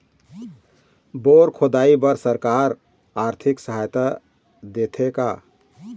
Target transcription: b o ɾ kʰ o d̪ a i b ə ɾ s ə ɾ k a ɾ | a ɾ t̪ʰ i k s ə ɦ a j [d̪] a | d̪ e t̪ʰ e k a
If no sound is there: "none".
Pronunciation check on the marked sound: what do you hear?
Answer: t̪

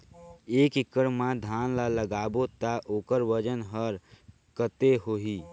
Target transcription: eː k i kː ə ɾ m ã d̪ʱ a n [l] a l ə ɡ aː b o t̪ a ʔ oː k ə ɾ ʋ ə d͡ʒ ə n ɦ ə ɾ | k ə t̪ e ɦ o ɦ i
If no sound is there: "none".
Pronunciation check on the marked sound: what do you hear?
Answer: l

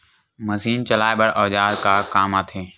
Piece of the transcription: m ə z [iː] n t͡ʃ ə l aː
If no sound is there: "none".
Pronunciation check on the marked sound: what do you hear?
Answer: iː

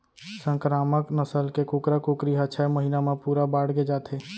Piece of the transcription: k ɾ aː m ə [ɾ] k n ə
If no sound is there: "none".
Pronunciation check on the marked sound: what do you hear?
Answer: none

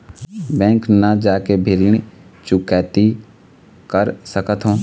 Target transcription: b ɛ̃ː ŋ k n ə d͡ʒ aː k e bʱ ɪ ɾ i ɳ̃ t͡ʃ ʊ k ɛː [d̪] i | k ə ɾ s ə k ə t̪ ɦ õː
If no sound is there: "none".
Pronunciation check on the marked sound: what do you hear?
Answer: t̪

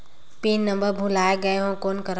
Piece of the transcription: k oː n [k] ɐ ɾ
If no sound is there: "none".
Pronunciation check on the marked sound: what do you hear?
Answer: k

